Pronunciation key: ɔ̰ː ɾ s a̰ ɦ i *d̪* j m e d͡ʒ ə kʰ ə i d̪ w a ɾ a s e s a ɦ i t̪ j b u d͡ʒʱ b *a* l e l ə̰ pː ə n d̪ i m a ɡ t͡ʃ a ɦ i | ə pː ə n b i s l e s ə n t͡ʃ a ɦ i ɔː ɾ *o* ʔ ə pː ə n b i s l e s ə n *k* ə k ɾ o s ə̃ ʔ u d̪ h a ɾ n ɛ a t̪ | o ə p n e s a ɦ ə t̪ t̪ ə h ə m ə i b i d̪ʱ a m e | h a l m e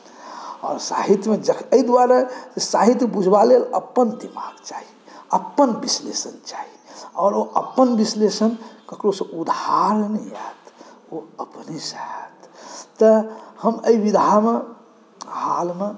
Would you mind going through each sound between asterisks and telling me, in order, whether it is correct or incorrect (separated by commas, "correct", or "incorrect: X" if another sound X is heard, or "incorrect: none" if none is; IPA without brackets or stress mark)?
incorrect: t̪, correct, correct, correct